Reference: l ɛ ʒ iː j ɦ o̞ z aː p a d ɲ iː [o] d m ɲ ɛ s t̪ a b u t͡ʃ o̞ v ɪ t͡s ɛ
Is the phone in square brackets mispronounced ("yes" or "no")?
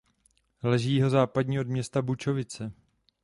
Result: no